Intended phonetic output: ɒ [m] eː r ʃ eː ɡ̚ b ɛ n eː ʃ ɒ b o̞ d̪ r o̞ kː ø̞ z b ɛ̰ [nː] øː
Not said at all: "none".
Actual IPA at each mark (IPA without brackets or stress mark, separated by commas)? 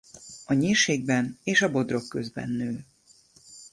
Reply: ɲ, nː